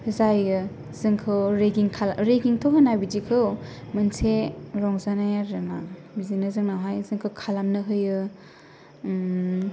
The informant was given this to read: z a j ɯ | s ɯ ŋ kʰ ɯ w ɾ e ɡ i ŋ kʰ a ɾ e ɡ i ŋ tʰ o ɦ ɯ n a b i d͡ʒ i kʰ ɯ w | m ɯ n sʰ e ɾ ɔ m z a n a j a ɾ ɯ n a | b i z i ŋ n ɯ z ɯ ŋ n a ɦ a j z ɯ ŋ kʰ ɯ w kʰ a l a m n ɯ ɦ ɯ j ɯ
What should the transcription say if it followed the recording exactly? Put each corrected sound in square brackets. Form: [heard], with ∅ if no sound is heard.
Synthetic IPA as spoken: z a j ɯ | [z] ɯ ŋ kʰ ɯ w ɾ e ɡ i ŋ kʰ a ɾ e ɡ i ŋ tʰ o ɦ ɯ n a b i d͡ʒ i kʰ ɯ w | m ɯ n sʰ e ɾ ɔ [ŋ] z a n a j a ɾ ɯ n a | b i z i [∅] n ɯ z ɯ ŋ n a ɦ a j z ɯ ŋ kʰ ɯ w kʰ a l a m n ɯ ɦ ɯ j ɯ